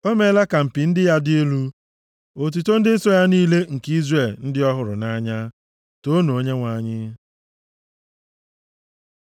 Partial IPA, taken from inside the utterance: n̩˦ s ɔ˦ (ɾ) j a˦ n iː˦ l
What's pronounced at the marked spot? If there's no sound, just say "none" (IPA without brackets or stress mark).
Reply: none